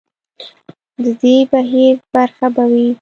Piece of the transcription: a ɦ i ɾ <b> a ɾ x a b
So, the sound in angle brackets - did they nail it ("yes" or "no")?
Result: yes